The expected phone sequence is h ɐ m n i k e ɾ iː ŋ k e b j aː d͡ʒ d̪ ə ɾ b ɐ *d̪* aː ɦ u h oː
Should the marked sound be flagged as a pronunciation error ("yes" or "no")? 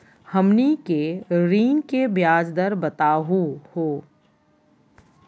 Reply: yes